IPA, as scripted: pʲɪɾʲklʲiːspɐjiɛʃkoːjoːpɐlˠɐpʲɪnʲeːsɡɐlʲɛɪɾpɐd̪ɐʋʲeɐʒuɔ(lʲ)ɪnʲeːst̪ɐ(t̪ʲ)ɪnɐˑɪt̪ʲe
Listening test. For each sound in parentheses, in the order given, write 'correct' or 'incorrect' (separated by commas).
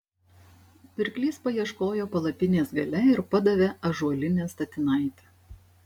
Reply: correct, correct